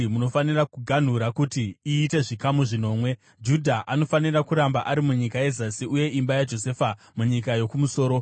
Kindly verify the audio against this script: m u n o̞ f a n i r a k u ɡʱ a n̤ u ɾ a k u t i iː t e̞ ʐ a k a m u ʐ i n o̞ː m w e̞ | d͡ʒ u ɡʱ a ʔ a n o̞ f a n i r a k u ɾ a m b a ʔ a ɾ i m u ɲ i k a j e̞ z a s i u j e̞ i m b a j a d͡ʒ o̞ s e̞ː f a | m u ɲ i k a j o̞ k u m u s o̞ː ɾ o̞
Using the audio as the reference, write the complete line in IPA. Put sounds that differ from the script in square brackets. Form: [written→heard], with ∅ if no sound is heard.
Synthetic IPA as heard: m u n o̞ f a n i r a k u ɡʱ a n̤ u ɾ a k u t i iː t e̞ ʐ [a→i] k a m u ʐ i n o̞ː m w e̞ | d͡ʒ u [ɡʱ→dʱ] a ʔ a n o̞ f a n i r a k u ɾ a m b a ʔ a ɾ i m u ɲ i k a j e̞ z a s i u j e̞ i m b a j a d͡ʒ o̞ s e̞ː f a | m u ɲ i k a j o̞ k u m u s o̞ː ɾ o̞